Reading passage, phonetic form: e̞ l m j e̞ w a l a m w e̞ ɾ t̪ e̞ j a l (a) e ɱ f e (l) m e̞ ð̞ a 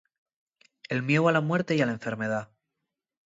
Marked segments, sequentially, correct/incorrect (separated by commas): correct, incorrect